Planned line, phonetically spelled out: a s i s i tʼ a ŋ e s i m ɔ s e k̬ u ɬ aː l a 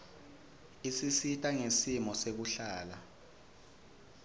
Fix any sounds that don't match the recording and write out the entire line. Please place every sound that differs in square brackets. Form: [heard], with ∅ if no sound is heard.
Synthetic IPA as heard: [i] s i s i tʼ a ŋ e s i m ɔ s e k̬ u ɬ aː l a